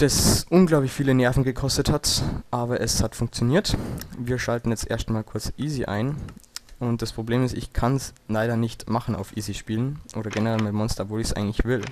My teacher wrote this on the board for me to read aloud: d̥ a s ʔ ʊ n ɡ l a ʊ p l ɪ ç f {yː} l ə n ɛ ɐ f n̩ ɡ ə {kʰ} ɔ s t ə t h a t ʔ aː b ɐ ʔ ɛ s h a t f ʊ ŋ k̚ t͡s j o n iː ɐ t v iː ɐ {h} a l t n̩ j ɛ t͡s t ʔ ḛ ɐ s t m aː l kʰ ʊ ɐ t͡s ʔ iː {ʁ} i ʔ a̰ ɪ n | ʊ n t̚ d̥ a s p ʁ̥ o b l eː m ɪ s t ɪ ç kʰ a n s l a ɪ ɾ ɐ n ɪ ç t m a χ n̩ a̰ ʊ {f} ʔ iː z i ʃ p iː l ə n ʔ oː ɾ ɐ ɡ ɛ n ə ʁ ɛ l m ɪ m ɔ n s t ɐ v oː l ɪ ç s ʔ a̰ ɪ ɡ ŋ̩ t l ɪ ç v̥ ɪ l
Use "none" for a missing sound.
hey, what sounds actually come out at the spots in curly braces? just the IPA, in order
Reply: iː, kʰ, ʃ, z, f

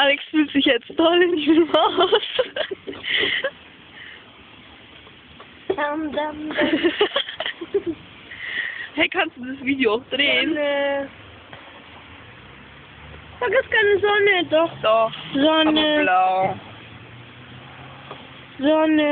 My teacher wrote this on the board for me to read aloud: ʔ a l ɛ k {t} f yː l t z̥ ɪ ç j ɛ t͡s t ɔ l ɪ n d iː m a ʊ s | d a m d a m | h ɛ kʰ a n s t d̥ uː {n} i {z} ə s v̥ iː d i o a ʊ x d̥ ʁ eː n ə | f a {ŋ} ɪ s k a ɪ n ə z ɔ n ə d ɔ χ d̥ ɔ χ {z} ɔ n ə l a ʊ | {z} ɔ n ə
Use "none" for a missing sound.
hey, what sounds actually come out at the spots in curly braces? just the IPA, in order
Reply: s, d, z, ɡ, z, z

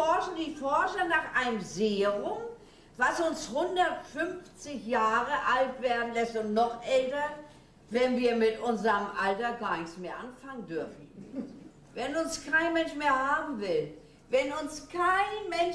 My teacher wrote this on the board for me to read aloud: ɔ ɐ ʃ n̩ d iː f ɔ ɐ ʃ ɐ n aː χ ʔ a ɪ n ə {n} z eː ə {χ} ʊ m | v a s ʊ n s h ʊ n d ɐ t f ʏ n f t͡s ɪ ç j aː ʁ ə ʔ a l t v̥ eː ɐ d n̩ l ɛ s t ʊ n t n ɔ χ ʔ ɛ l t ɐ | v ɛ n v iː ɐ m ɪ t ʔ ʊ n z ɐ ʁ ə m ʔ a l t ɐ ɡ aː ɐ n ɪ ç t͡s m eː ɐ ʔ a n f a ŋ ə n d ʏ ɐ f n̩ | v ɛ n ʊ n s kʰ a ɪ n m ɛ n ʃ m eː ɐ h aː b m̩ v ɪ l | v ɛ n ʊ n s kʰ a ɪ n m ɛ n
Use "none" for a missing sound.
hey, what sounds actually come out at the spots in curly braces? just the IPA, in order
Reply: m, ʁ

